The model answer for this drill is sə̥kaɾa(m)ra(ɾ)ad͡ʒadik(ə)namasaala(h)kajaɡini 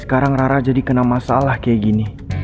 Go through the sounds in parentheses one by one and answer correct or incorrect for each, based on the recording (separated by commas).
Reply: incorrect, correct, correct, correct